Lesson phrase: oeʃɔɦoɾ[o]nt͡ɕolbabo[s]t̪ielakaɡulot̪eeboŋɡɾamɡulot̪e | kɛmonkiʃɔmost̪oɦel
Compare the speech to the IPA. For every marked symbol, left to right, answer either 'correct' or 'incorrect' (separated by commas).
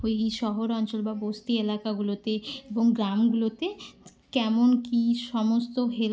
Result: incorrect, correct